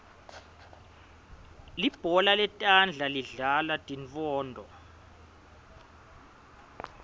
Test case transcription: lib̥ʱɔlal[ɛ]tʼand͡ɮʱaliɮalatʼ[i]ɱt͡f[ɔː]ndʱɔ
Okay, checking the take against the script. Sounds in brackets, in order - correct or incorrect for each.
correct, correct, correct

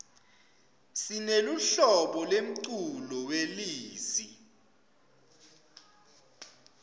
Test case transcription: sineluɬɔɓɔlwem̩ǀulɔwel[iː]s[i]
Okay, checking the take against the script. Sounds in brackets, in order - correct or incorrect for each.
correct, correct

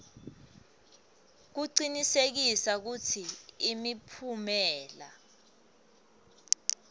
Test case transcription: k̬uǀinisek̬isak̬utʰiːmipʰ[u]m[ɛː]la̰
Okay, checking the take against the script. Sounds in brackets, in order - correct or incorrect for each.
correct, correct

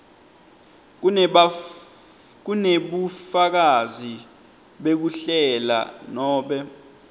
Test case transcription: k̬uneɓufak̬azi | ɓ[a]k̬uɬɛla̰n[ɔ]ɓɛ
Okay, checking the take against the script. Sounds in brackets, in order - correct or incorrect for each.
incorrect, incorrect

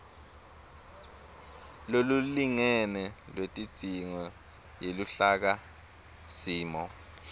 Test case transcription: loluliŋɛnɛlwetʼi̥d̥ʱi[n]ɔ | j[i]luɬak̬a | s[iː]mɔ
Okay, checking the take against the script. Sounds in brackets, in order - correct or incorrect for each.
incorrect, incorrect, correct

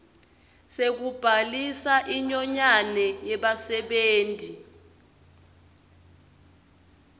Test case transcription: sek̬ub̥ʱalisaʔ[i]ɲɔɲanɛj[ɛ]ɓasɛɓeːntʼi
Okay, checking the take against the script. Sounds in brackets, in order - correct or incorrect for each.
correct, correct

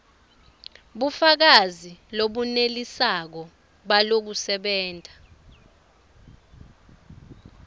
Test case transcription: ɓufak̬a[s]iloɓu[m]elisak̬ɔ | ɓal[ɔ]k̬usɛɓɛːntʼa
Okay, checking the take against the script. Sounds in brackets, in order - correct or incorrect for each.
incorrect, incorrect, incorrect

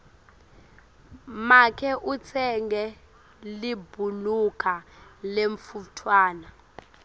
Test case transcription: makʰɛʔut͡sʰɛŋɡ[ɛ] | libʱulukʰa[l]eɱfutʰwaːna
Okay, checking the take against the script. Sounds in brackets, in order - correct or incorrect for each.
correct, correct

